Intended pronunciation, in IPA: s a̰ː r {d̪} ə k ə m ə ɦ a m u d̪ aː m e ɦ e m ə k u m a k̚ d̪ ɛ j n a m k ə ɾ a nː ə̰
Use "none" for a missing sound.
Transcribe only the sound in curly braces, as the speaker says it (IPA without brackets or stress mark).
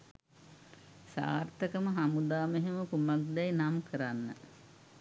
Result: t̪